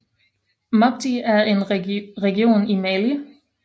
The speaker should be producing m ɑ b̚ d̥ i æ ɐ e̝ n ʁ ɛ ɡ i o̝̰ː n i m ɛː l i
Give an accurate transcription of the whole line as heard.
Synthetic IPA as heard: m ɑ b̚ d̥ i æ ɐ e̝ n ʁ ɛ ɡ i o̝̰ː n i m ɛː l i